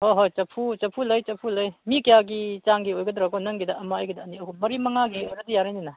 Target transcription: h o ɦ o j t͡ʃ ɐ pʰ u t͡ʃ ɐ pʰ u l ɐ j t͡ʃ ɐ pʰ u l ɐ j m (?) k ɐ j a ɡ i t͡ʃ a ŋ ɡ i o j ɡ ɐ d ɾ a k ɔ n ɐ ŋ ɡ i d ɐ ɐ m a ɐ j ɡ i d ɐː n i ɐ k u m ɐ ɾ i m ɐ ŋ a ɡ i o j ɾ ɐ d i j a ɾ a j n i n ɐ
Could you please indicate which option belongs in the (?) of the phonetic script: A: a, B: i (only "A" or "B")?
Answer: B